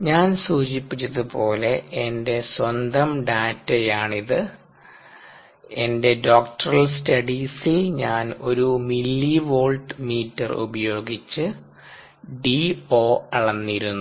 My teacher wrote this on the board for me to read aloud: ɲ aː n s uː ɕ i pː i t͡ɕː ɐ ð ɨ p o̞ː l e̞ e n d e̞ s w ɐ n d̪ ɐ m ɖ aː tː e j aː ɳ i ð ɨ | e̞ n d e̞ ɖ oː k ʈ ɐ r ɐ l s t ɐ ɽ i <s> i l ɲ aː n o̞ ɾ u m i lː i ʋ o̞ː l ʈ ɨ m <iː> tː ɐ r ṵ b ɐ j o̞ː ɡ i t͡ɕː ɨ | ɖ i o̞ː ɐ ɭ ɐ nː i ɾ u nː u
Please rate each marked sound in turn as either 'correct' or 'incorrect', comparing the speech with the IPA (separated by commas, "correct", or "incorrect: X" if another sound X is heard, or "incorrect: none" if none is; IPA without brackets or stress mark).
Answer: correct, correct